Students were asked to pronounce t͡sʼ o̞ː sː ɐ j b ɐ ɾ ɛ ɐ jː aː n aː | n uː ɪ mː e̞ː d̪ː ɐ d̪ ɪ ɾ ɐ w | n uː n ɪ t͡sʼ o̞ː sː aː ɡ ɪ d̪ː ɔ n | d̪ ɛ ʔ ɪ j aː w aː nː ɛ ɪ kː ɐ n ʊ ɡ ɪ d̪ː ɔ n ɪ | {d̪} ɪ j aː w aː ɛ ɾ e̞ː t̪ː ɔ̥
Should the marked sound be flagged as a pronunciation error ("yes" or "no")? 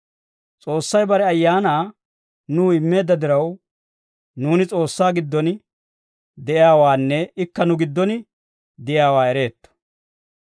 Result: no